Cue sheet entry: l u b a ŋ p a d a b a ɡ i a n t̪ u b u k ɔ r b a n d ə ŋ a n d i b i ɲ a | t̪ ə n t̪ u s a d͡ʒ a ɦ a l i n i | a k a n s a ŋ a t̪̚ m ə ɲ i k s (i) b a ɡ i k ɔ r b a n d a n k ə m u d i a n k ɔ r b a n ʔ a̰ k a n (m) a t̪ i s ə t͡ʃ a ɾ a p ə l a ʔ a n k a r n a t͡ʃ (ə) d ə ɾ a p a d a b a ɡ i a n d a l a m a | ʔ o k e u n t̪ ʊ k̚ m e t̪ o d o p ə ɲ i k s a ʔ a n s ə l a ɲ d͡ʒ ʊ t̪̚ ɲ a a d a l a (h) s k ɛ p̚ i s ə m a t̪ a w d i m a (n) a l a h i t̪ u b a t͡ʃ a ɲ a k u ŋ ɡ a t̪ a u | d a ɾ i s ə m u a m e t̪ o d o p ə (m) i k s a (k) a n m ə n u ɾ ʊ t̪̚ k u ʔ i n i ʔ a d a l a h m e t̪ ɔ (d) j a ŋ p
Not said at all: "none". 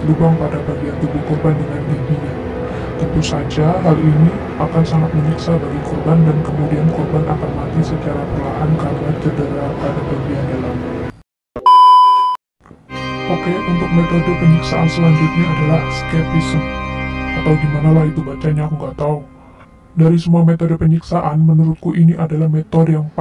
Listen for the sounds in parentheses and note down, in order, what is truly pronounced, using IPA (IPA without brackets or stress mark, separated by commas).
a, m, ə, h, n, ɲ, ʔ, d